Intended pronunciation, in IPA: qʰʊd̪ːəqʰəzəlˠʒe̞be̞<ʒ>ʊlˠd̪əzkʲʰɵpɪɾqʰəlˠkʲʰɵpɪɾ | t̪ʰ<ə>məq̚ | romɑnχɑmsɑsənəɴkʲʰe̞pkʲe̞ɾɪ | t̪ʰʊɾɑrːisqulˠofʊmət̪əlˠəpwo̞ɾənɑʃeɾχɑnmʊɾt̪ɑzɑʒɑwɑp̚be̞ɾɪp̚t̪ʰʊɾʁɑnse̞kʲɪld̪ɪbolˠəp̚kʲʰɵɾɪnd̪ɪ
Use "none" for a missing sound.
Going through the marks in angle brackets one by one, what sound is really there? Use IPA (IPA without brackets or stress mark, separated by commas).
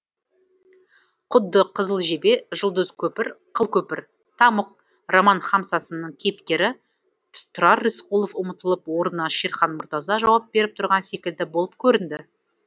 ʒ, ɑ